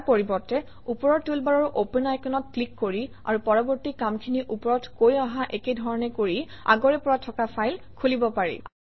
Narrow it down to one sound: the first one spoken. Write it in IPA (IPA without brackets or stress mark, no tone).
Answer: p